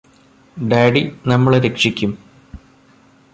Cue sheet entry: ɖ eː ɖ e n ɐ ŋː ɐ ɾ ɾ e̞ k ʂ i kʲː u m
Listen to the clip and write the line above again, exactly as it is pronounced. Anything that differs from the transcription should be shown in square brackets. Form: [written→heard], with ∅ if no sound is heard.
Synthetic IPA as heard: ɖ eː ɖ [e→i] n ɐ [ŋː→mː] ɐ [ɾ→ɭ] ɾ e̞ k ʂ i kʲː u m